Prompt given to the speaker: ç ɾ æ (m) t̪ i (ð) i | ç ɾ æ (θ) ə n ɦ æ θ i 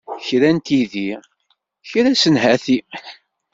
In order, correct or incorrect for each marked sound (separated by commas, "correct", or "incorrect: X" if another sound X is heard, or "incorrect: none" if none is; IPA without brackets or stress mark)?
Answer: incorrect: n, correct, incorrect: s